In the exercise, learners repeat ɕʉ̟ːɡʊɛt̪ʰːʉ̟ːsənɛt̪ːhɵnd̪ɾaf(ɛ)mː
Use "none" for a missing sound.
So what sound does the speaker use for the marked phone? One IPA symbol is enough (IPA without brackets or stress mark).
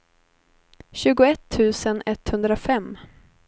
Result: ɛ